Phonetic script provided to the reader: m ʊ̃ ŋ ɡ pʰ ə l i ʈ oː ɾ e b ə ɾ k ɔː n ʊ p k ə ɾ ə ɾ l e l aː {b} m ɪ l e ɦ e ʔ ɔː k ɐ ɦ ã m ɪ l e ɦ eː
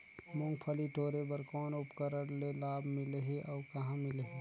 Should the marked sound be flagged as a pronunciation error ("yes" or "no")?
no